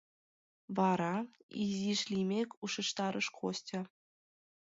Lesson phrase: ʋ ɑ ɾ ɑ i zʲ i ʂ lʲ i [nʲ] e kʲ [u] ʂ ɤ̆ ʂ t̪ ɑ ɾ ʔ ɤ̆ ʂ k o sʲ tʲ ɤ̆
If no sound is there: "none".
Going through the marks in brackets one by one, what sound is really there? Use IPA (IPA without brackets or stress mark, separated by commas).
mʲ, u